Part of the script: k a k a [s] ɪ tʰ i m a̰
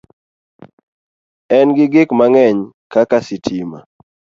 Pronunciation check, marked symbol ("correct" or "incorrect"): correct